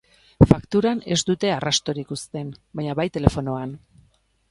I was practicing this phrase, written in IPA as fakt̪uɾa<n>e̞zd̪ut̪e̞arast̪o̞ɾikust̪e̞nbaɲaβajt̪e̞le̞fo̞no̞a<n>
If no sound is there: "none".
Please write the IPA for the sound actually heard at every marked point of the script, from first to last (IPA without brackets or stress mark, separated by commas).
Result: n, n